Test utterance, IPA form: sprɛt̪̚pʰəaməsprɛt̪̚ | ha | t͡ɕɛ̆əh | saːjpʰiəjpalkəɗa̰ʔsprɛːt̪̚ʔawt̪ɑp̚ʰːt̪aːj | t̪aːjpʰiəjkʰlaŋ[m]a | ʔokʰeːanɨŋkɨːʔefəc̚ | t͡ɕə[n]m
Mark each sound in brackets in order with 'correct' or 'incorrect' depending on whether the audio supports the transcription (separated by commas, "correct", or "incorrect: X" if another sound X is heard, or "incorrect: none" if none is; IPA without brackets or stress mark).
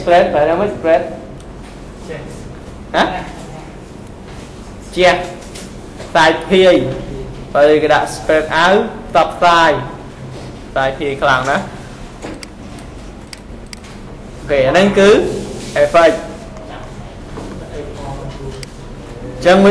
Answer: incorrect: n, incorrect: ŋ